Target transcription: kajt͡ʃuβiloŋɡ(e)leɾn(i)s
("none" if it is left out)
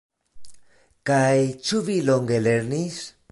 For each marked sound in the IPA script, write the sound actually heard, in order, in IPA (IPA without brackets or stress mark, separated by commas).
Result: e, i